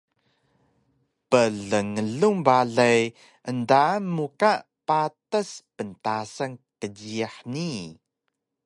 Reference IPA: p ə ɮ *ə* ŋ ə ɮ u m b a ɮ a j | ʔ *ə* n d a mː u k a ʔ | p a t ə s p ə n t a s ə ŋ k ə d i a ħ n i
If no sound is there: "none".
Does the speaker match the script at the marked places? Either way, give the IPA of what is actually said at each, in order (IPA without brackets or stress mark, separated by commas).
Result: ə, ə